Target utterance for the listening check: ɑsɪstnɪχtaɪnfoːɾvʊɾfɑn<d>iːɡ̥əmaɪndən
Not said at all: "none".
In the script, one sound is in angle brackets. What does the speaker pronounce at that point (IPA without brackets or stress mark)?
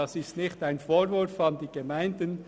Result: d